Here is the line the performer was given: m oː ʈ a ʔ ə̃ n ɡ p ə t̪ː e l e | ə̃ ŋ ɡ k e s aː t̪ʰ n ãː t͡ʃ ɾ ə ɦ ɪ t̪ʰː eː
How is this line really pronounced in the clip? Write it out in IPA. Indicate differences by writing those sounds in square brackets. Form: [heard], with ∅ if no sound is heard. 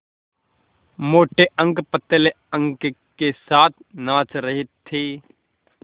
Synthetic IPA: m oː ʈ [e] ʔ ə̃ [ŋ] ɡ p ə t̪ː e l e | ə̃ ŋ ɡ k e s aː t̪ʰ n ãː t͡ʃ ɾ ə ɦ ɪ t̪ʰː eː